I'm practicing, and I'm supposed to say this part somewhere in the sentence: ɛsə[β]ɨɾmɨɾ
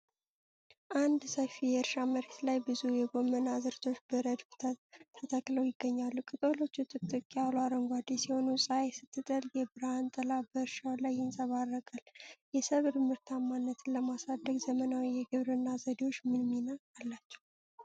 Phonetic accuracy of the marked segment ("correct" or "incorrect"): correct